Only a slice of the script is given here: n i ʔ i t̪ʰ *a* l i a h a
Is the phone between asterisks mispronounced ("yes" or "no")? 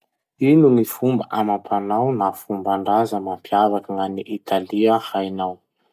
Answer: no